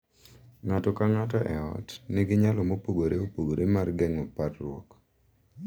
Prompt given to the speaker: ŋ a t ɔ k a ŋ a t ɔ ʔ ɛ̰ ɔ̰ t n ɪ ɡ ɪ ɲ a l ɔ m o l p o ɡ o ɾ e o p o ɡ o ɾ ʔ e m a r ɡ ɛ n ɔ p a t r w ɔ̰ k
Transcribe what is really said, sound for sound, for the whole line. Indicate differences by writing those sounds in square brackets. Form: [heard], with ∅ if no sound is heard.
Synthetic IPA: ŋ a t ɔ k a ŋ a t ɔ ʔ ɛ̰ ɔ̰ t n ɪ ɡ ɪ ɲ a l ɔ m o [∅] p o ɡ o ɾ e o p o ɡ o ɾ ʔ e m a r ɡ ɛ [ŋ] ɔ p a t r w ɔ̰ k